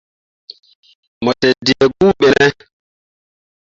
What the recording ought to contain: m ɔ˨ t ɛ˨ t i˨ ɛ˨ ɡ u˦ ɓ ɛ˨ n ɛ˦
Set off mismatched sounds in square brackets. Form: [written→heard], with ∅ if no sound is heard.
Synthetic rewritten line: m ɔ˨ t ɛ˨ [t→d] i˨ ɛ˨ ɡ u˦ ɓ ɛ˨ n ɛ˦